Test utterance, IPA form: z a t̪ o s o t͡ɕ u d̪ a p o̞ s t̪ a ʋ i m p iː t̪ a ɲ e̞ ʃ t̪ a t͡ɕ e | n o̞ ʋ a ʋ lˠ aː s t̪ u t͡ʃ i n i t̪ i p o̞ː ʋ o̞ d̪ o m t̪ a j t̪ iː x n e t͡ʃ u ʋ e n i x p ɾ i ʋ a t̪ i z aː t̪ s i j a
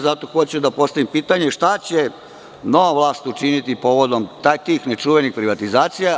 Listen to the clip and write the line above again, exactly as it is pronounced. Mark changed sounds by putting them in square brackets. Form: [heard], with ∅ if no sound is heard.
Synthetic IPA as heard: z a t̪ o [x] o t͡ɕ u d̪ a p o̞ s t̪ a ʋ i m p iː t̪ a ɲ e̞ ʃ t̪ a t͡ɕ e | n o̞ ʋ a ʋ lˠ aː s t̪ u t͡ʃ i n i t̪ i p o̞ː ʋ o̞ d̪ o m t̪ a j t̪ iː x n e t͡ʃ u ʋ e n i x p ɾ i ʋ a t̪ i z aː t̪ s i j a

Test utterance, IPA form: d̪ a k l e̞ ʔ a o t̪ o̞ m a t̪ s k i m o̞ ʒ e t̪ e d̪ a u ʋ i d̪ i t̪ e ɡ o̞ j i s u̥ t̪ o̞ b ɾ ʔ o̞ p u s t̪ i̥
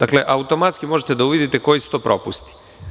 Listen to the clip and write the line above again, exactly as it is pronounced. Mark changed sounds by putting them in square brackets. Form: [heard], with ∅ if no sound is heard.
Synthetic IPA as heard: d̪ a k l e̞ ʔ a [u] t̪ o̞ m a t̪ s k i m o̞ ʒ e t̪ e d̪ a u ʋ i d̪ i t̪ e [k] o̞ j i s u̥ t̪ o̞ [p] ɾ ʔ o̞ p u s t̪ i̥

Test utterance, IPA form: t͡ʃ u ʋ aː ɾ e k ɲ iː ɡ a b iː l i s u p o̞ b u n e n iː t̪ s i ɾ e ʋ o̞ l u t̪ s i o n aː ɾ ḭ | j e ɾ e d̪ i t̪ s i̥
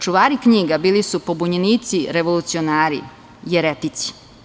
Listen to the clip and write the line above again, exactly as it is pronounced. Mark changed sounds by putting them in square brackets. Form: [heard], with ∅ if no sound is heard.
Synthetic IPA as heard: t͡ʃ u ʋ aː ɾ [i] k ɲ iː ɡ a b iː l i s u p o̞ b u [ɲ] e n iː t̪ s i ɾ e ʋ o̞ l u t̪ s i o n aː ɾ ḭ | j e ɾ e [t̪] i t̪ s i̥

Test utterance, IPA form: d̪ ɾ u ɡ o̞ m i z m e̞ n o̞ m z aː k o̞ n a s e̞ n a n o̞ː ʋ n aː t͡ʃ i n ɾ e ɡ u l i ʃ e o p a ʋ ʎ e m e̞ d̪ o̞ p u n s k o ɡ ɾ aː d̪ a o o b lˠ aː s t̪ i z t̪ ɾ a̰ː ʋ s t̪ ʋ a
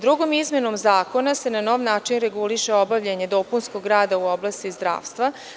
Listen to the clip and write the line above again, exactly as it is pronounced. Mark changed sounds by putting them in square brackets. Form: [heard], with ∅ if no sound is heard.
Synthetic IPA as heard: d̪ ɾ u ɡ o̞ m i z m e̞ n o̞ m z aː k o̞ n a s e̞ n a n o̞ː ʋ n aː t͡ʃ i n ɾ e ɡ u l i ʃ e o [b] a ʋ ʎ e [ɲ] e̞ d̪ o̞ p u n s k o ɡ ɾ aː d̪ a [u] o b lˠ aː s t̪ i z [d̪] ɾ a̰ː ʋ s t̪ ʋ a

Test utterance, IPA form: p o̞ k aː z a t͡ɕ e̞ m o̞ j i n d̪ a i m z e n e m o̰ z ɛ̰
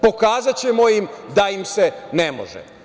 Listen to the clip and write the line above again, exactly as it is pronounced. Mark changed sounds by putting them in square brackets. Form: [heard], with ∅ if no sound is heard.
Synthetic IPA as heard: p o̞ k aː z a t͡ɕ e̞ m o̞ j i [m] d̪ a i m [s] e n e m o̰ [ʒ] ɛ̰

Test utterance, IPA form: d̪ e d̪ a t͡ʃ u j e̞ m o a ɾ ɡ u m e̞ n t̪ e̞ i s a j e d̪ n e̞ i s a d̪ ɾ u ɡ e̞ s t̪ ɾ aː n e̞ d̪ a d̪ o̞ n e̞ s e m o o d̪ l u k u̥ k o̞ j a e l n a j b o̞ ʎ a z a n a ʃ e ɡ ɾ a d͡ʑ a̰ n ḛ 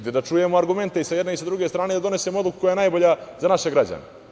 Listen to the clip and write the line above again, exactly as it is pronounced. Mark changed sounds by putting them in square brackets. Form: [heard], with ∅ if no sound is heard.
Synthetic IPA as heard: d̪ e d̪ a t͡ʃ u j e̞ m o a ɾ ɡ u m e̞ n t̪ e̞ i s a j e d̪ n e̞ i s a d̪ ɾ u ɡ e̞ s t̪ ɾ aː n e̞ d̪ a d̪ o̞ n e̞ s e m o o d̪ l u k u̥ k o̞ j a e [∅] n a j b o̞ ʎ a z a n a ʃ e ɡ ɾ a d͡ʑ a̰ n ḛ

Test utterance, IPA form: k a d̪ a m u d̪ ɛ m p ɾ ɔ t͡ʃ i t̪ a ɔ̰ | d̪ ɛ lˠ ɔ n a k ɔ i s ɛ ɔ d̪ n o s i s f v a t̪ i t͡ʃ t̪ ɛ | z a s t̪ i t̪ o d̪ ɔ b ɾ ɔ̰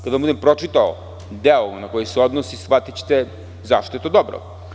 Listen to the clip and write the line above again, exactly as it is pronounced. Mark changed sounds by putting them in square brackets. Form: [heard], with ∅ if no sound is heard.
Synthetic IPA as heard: k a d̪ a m u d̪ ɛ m p ɾ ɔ t͡ʃ i t̪ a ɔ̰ | d̪ ɛ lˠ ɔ n a k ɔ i s ɛ ɔ d̪ n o s i s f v a t̪ i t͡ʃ t̪ ɛ | z a [ʃ] t̪ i t̪ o d̪ ɔ b ɾ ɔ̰

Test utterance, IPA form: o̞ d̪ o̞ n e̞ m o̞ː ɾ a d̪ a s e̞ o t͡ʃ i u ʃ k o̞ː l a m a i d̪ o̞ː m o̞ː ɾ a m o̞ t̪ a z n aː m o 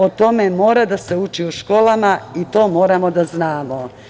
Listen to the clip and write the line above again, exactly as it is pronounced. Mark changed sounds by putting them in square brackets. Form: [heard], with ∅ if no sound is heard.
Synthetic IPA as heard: o̞ [t̪] o̞ [m] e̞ m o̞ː ɾ a d̪ a s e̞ [u] t͡ʃ i u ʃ k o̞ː l a m a i [t̪] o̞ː m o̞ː ɾ a m o̞ [d̪] a z n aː m o

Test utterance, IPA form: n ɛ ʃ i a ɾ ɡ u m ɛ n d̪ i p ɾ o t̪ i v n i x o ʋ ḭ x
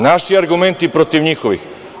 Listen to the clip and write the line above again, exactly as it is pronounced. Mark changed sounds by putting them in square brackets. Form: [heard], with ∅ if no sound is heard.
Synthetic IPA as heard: n [a] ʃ i a ɾ ɡ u m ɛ n [t̪] i p ɾ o t̪ i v [ɲ] i x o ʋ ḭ x

